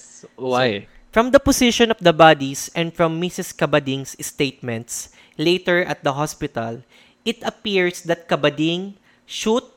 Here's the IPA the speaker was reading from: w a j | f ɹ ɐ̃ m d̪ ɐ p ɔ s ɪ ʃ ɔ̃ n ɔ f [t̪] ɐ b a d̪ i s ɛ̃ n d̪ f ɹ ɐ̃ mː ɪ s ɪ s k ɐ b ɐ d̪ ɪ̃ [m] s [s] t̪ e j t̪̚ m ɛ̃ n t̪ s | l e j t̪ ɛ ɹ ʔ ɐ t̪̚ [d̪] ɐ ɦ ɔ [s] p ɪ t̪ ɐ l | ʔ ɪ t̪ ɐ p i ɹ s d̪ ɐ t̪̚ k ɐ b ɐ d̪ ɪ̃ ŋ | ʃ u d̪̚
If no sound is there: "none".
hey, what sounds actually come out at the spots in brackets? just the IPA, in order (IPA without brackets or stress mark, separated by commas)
d̪, ŋ, s, d̪, s